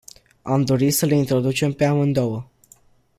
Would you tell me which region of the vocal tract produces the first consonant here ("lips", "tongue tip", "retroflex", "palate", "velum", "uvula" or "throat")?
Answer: lips